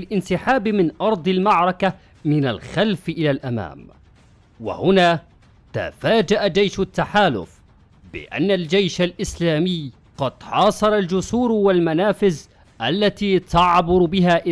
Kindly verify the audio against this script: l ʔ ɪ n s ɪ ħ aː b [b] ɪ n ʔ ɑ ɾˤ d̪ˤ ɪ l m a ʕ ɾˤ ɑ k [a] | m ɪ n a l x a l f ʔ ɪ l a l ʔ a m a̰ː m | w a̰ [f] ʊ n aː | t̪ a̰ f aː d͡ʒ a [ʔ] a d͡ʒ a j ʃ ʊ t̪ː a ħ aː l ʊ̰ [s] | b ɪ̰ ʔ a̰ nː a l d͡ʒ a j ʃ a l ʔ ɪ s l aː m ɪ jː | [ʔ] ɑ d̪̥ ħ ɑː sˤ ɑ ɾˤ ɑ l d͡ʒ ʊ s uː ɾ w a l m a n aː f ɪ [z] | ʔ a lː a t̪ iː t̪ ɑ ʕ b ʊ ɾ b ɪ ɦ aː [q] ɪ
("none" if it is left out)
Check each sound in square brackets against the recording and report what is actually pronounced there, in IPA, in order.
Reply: m, a, h, ʔ, f, q, z, ʔ

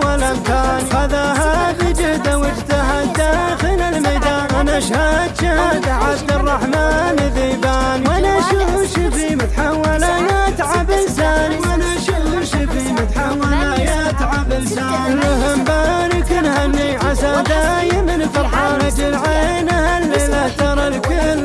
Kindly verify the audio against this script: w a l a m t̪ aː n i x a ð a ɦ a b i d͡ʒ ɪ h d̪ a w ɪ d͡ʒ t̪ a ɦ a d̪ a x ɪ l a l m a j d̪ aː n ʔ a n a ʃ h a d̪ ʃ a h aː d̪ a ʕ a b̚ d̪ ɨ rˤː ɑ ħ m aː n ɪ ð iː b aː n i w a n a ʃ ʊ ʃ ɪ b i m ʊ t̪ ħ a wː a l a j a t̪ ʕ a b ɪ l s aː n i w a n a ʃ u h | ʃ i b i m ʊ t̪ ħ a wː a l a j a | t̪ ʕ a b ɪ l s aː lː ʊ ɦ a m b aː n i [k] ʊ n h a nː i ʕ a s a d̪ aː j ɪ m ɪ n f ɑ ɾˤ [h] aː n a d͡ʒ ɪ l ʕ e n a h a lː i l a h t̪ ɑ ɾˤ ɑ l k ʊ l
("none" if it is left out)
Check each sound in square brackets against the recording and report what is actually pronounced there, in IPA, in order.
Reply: k, ħ

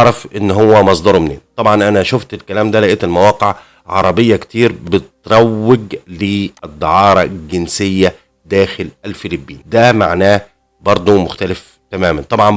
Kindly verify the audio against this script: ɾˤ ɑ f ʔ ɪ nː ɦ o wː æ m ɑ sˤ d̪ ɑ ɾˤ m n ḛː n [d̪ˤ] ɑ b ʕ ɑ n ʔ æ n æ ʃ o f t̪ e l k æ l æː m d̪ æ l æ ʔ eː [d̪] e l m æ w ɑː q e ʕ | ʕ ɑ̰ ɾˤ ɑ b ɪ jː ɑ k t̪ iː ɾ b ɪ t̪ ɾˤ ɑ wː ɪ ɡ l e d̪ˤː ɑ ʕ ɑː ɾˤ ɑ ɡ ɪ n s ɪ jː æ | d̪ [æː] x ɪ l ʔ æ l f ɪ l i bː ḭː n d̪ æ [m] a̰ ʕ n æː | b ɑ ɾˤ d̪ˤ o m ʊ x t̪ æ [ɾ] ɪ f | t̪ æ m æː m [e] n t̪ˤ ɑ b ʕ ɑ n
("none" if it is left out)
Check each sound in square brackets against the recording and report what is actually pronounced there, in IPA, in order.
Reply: t̪ˤ, t̪, æː, m, l, æ

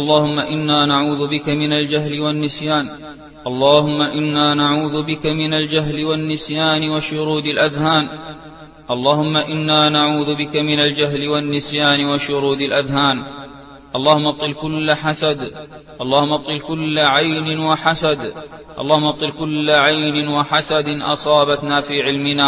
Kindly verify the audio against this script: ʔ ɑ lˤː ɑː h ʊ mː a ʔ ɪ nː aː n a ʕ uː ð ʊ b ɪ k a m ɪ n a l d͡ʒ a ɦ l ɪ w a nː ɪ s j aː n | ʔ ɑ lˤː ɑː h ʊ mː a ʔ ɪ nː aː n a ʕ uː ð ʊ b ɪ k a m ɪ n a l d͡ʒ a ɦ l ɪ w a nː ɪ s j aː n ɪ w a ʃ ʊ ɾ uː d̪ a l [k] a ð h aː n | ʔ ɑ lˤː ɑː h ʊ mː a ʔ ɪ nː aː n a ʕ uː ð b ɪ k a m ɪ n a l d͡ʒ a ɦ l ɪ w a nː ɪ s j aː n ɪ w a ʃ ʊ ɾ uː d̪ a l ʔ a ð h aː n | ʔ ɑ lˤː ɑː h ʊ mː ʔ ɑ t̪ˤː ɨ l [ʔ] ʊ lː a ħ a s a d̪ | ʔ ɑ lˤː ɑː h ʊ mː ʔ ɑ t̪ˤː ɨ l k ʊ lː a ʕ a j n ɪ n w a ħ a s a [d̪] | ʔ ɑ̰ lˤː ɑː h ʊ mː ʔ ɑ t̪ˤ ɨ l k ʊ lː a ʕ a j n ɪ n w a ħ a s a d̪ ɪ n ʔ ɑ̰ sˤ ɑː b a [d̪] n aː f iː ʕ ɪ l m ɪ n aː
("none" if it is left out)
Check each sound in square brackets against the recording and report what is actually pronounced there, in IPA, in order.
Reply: ʔ, k, d̪, t̪

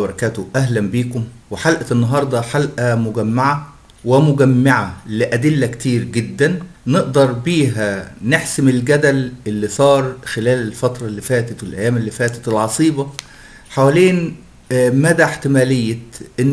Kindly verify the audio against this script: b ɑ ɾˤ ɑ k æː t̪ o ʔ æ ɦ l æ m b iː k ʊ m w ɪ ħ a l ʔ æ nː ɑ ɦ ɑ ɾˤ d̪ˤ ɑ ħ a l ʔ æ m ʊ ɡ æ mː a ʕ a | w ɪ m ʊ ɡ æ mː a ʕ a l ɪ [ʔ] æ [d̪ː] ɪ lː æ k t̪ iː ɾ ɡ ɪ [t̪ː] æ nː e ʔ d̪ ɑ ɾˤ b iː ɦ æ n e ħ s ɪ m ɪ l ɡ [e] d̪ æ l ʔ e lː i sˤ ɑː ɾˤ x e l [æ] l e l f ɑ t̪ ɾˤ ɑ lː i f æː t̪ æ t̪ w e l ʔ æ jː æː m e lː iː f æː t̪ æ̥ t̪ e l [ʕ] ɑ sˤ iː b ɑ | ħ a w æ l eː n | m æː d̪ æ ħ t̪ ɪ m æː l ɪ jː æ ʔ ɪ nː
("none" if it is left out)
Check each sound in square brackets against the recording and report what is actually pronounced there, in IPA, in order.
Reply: ʔ, d̪, d̪ː, æ, æː, ʕ

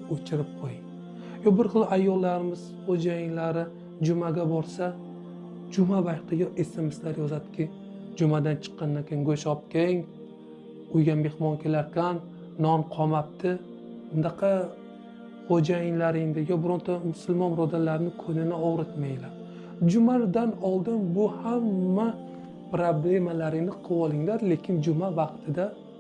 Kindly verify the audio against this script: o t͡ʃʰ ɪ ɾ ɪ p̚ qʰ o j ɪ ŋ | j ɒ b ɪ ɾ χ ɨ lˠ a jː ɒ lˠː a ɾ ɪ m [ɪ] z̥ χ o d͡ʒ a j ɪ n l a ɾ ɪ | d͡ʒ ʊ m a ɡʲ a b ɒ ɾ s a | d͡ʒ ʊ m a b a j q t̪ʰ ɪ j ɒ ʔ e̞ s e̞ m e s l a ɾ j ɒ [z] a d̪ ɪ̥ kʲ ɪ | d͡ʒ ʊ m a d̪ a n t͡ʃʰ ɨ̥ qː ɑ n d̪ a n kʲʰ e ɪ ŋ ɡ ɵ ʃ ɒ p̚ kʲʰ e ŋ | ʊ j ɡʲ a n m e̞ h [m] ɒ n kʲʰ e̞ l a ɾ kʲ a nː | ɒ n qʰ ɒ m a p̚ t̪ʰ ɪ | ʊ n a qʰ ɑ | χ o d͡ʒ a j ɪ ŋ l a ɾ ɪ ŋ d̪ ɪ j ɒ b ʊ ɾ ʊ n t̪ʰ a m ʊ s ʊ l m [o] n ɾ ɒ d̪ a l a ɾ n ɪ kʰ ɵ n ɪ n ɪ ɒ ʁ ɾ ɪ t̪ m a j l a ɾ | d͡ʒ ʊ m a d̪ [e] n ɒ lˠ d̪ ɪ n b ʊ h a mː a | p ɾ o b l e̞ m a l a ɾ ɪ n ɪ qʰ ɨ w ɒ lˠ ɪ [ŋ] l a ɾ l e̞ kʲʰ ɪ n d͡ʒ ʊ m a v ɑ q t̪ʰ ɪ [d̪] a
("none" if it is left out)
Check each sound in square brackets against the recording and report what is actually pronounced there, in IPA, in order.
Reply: ɪ, z, m, ɒ, a, ŋ, d̪

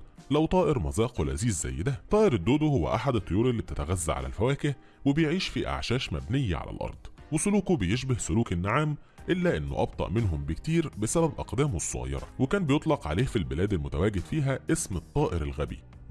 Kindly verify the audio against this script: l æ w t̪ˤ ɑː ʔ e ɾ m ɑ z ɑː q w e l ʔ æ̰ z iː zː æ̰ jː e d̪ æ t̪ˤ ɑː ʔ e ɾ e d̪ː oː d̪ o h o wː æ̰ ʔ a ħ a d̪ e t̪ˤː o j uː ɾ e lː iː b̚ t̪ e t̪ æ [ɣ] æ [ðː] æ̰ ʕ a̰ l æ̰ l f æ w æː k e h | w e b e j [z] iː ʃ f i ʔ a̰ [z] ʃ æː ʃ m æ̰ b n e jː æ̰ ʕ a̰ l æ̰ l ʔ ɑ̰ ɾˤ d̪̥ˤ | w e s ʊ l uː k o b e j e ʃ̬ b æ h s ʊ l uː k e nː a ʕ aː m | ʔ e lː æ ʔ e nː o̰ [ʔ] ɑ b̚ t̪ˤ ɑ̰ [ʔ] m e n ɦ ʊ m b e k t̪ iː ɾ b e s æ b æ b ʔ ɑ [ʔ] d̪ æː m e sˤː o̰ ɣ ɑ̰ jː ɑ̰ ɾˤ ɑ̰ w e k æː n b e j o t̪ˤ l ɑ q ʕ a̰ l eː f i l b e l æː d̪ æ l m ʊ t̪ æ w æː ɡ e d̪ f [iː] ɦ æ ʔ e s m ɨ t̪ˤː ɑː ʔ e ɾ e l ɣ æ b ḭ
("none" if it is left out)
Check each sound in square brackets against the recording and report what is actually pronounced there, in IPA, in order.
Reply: ɣ, zː, ʕ, ʕ, ʔ, ʔ, q, iː

